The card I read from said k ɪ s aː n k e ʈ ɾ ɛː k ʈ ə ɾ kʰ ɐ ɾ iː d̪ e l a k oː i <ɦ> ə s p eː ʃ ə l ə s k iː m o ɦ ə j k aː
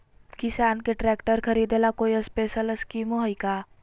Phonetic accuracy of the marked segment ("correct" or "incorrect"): incorrect